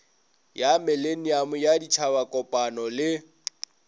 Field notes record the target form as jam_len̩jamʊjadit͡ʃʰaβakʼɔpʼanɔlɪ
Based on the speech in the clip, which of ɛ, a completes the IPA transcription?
ɛ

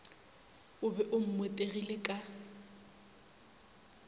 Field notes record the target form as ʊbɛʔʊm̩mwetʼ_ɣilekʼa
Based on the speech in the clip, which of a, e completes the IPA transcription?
e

